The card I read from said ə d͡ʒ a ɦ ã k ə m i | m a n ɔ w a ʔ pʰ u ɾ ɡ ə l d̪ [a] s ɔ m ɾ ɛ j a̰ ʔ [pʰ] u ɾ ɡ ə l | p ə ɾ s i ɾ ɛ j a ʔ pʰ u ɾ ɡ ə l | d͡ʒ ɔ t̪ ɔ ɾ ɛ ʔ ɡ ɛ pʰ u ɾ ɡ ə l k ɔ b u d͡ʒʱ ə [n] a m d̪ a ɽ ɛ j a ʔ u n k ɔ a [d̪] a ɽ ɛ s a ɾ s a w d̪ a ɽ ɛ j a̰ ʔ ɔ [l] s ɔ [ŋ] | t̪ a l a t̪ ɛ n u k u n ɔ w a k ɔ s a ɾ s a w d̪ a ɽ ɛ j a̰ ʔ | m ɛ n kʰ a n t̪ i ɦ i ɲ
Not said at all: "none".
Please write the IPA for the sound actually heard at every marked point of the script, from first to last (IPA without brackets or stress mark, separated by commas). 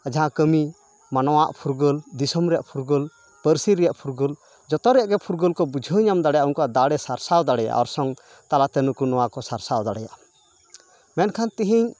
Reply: i, pʰ, ɲ, d̪, ɾ, ŋ